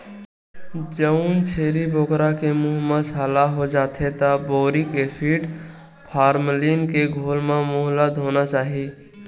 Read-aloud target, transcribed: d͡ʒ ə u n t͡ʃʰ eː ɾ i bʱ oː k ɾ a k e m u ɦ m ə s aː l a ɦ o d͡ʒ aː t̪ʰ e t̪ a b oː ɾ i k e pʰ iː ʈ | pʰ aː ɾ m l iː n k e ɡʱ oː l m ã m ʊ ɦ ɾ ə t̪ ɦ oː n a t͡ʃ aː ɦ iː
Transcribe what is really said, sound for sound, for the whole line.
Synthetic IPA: d͡ʒ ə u n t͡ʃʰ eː ɾ i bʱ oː k ɾ a k e m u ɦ m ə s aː l a ɦ o d͡ʒ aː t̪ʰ e t̪ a b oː ɾ i k e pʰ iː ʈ | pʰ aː ɾ m l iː n k e ɡʱ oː l m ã m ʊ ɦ l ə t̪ ɦ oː n a t͡ʃ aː ɦ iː